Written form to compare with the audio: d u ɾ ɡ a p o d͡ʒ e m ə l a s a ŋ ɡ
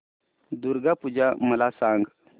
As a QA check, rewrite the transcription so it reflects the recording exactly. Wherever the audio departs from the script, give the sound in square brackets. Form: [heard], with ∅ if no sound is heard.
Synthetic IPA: d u ɾ ɡ a p [u] d͡ʒ [a] m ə l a s a ŋ ɡ